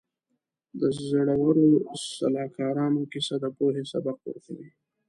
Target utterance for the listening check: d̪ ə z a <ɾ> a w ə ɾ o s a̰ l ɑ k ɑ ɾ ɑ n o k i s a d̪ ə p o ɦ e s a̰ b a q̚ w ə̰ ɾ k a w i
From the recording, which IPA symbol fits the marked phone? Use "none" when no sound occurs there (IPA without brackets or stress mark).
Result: ɽ